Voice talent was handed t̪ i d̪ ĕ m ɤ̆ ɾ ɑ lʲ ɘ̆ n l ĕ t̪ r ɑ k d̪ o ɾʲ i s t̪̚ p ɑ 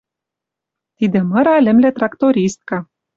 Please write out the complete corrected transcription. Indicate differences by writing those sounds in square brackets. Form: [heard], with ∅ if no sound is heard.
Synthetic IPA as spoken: t̪ i d̪ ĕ m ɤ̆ ɾ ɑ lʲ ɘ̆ [m] l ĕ t̪ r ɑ k [t̪] o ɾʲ i s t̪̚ [k] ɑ